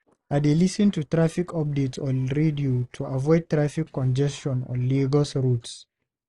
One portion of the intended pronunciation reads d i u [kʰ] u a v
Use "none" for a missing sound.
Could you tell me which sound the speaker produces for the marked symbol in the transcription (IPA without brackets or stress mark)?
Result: tʰ